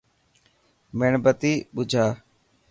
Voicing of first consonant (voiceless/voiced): voiced